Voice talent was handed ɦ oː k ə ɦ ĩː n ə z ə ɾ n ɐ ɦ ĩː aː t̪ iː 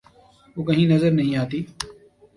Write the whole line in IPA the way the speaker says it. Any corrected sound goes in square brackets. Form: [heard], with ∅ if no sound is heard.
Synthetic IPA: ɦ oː k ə ɦ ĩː n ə z ə ɾ n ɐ ɦ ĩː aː t̪ iː